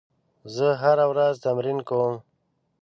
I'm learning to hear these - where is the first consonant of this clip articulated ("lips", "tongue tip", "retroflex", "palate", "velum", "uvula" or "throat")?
tongue tip